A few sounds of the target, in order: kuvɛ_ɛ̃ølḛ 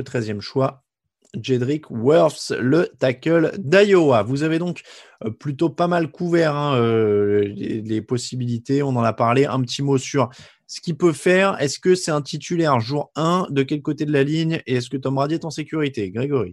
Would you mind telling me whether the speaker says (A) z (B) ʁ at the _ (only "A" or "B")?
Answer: B